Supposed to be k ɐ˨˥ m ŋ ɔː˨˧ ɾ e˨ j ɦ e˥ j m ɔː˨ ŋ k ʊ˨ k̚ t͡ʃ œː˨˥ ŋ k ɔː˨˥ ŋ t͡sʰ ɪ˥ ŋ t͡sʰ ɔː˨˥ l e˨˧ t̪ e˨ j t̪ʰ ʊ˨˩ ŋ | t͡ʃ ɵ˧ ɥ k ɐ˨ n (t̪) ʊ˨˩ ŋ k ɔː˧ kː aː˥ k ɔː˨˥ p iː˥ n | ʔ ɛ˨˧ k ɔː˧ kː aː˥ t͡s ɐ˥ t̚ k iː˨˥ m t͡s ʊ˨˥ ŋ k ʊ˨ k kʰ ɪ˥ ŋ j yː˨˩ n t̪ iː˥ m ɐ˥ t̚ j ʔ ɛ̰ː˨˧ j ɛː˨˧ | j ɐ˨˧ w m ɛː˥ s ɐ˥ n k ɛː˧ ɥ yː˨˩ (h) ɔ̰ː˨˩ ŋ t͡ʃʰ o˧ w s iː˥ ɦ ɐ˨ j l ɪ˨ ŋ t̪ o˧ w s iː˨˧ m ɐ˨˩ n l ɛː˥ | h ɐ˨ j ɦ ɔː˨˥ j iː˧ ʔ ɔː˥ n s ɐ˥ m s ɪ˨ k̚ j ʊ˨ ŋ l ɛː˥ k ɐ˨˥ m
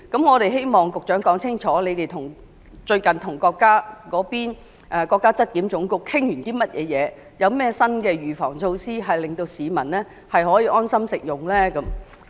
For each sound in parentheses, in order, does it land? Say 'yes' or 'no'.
no, no

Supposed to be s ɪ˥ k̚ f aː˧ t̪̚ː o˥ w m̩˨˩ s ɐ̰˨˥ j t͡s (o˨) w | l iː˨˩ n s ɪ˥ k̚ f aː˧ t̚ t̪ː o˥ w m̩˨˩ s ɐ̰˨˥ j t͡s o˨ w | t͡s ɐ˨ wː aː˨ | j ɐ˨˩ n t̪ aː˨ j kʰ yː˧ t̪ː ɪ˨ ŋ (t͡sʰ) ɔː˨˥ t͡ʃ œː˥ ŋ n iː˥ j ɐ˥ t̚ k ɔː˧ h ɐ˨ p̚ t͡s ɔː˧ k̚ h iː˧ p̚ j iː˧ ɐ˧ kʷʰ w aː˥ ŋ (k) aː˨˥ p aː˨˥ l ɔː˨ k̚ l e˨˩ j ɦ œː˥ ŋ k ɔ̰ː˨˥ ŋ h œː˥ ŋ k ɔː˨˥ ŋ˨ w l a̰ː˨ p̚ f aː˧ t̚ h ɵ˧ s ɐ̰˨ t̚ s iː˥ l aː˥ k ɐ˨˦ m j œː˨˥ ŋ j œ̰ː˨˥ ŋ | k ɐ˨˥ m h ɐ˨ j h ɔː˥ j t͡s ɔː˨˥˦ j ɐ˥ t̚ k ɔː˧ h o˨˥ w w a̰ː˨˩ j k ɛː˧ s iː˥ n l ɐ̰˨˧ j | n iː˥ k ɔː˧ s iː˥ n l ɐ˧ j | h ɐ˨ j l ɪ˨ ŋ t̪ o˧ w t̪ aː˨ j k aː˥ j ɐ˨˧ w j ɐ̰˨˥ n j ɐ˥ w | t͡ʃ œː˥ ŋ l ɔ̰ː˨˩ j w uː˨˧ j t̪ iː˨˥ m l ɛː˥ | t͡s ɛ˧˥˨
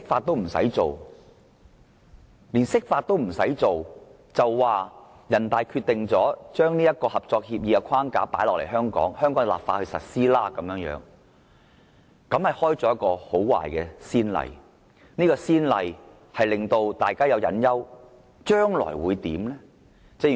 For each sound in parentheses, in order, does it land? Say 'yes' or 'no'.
yes, no, yes

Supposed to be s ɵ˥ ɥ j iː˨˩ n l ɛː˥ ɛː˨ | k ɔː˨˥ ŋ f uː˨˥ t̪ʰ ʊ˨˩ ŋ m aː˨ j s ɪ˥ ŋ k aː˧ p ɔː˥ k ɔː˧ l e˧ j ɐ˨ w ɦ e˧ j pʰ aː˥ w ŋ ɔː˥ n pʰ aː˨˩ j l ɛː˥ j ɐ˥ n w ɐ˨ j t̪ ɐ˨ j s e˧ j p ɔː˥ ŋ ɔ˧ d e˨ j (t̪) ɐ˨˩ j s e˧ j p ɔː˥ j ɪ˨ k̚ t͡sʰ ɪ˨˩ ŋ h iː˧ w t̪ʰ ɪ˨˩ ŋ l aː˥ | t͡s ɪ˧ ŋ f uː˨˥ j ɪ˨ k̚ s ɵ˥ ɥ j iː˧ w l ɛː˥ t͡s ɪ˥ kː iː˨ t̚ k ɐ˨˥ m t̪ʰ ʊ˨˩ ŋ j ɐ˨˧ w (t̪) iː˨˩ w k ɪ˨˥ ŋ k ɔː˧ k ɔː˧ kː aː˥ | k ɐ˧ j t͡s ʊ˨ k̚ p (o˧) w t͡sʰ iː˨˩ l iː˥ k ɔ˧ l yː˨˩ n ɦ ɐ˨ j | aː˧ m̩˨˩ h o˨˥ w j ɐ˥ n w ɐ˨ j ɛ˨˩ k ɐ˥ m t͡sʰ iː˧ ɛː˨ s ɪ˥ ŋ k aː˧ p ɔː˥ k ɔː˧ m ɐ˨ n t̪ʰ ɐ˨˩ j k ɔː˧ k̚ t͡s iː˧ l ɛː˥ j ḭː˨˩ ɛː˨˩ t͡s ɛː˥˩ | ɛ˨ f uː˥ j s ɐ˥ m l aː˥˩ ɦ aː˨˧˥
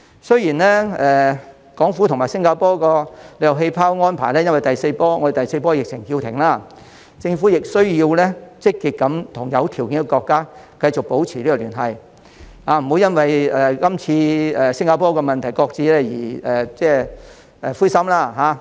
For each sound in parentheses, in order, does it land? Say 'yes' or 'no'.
yes, no, no

